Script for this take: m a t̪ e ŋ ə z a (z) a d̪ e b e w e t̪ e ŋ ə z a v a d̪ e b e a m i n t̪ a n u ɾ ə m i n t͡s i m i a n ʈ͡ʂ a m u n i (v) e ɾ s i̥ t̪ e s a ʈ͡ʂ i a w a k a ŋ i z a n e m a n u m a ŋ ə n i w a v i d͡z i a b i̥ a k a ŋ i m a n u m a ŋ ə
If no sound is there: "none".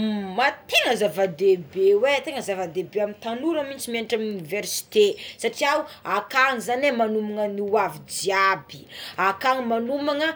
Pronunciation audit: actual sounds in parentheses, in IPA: v, v

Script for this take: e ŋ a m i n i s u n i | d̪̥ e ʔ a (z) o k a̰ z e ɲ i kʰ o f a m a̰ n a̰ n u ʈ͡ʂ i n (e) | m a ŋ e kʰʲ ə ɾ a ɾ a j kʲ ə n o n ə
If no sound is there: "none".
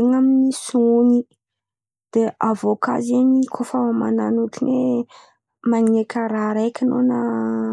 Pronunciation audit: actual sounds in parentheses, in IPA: v, e

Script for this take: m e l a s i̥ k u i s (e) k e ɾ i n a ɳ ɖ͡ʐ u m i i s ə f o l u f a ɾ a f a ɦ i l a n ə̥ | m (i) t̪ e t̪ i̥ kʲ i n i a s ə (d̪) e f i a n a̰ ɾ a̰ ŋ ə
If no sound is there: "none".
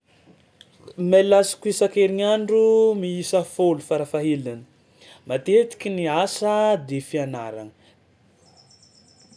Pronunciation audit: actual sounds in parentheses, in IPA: a, a, d̪

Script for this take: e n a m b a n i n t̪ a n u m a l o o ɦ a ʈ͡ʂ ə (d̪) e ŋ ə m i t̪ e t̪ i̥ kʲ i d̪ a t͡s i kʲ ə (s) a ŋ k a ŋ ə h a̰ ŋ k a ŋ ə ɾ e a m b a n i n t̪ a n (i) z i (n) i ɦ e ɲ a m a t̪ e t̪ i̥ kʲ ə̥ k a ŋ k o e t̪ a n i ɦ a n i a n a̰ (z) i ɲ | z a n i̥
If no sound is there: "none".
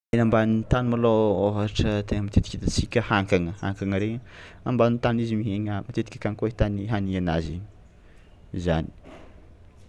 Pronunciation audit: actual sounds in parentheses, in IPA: t̪, h, i, m, z

